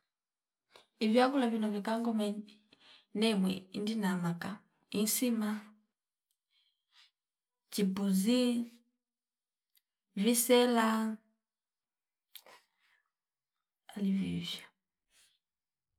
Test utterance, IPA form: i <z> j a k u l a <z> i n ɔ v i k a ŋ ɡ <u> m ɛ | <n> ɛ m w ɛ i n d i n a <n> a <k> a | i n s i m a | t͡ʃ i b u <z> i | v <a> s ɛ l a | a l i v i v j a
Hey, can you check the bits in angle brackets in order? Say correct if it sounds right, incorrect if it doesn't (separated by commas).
incorrect, incorrect, incorrect, correct, incorrect, correct, correct, incorrect